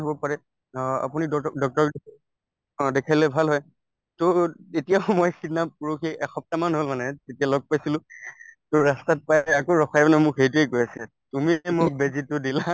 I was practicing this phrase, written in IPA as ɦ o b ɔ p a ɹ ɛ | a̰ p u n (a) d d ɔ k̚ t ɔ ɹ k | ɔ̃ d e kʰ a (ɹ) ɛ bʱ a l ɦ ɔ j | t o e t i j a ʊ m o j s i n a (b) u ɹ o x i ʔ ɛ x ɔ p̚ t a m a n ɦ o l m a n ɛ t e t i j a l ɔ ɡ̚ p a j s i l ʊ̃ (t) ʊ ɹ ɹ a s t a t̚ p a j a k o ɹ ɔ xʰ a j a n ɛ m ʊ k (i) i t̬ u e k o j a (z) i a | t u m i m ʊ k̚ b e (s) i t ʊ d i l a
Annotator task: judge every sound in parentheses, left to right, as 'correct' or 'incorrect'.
incorrect: i, incorrect: l, incorrect: p, correct, incorrect: e, incorrect: s, incorrect: z

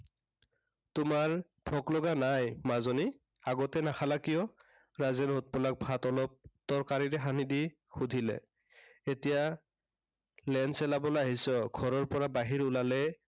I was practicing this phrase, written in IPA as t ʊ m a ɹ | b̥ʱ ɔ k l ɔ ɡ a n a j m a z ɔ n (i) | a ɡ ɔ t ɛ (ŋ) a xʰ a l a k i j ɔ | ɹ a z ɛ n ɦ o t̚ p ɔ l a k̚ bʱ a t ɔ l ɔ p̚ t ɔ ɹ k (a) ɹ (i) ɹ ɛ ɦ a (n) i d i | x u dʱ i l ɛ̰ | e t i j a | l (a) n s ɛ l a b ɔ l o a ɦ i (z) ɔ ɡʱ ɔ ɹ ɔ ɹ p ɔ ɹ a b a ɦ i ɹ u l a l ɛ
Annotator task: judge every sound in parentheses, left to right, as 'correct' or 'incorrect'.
correct, incorrect: n, correct, correct, correct, incorrect: ɛ, incorrect: s

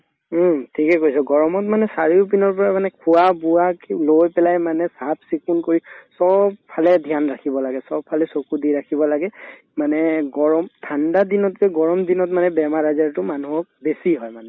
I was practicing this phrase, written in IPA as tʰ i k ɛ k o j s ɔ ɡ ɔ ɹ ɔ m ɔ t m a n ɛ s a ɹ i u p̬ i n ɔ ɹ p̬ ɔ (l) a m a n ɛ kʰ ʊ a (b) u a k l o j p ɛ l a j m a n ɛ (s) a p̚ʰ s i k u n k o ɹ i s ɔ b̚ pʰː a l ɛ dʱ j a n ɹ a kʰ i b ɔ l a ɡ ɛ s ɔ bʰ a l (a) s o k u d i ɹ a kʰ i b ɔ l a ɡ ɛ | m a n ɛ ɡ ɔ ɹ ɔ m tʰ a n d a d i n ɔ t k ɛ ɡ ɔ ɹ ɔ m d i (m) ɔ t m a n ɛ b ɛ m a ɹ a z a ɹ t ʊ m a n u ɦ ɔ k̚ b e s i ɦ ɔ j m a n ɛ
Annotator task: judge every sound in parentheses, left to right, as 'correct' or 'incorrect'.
incorrect: ɹ, correct, correct, incorrect: ɛ, incorrect: n

